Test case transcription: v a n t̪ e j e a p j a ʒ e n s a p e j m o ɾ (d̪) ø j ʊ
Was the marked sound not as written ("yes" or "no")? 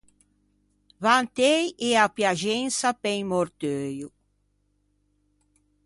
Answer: yes